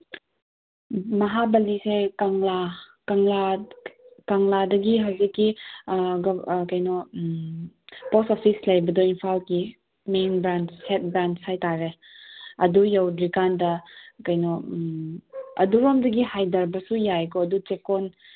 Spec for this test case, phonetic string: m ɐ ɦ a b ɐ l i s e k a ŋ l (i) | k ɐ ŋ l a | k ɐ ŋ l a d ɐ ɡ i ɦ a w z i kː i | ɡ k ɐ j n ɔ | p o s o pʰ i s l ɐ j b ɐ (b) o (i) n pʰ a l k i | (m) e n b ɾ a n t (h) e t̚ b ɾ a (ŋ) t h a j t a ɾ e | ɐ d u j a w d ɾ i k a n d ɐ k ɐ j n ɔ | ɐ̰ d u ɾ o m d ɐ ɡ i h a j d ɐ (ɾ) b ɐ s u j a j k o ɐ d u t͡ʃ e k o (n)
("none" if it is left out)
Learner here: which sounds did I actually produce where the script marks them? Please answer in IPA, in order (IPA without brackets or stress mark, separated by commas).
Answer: a, d, i, m, h, n, ɾ, n